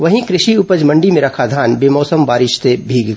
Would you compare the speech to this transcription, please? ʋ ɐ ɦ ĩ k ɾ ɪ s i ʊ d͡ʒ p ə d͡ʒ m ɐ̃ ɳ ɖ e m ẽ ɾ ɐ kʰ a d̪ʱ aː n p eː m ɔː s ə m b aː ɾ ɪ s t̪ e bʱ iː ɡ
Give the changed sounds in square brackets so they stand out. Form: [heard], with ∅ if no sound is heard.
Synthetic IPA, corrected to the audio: ʋ ɐ ɦ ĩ k ɾ ɪ [ʃ] i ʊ [∅] p ə d͡ʒ m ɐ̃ ɳ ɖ [i] m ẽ ɾ ɐ kʰ a d̪ʱ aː n [b] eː m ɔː s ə m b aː ɾ ɪ [ʃ] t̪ e bʱ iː ɡ